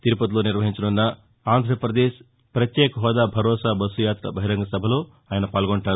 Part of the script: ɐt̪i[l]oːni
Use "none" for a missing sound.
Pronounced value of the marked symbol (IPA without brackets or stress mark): l